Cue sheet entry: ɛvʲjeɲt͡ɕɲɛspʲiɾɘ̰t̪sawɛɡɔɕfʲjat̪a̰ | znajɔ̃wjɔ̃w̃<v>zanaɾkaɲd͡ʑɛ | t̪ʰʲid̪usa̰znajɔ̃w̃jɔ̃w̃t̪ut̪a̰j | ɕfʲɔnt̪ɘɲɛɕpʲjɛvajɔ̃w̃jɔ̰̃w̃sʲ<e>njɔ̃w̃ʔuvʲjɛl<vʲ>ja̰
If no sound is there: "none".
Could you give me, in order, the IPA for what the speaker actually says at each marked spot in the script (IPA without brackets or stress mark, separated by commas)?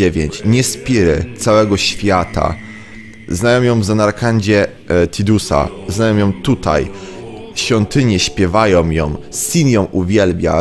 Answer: v, i, bʲ